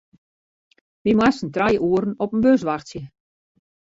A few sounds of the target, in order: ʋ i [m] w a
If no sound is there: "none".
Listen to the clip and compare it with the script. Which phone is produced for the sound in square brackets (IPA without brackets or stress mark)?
m